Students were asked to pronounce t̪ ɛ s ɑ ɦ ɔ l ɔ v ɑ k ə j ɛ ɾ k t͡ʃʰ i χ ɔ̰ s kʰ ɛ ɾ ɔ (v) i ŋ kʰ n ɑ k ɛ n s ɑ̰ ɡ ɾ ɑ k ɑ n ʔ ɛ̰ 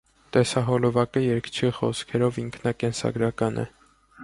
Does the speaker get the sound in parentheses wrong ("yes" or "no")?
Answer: no